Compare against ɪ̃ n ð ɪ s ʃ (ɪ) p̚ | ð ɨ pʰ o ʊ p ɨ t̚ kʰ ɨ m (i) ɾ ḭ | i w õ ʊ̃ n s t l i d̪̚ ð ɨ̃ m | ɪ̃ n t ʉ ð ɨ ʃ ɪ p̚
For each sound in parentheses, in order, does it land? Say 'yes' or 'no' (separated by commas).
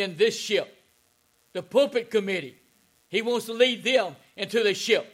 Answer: yes, no